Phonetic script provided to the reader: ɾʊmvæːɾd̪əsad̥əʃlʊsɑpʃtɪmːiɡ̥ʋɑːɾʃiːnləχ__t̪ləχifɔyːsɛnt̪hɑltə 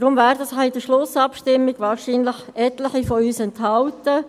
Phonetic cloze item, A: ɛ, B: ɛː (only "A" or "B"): A